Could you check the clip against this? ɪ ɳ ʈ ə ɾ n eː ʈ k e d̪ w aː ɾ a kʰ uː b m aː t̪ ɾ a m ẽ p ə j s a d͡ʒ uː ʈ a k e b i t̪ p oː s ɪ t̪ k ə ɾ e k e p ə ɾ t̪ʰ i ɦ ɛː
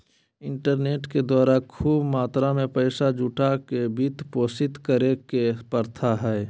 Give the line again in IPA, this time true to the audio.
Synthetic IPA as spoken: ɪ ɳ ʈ ə ɾ n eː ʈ k e d̪ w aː ɾ a kʰ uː b m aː t̪ ɾ a m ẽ p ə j s a d͡ʒ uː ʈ a k e b i t̪ p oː s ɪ t̪ k ə ɾ e k e p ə ɾ t̪ʰ a ɦ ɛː